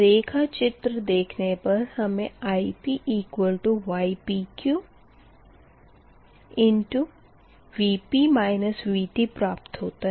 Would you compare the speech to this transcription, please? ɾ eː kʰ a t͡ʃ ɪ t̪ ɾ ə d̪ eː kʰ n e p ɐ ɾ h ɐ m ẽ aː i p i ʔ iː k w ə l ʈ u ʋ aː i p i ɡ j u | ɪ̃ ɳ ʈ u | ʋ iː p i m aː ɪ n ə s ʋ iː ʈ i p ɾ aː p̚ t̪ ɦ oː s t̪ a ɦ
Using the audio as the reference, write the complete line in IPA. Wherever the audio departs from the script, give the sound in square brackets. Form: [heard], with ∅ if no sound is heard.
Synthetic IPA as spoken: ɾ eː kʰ a t͡ʃ ɪ t̪ ɾ ə d̪ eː kʰ n e p ɐ ɾ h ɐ m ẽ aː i p i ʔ iː k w ə l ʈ u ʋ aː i p i [k] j u | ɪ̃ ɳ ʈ u | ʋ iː p i m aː ɪ n ə s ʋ iː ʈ i p ɾ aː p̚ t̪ ɦ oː [∅] t̪ a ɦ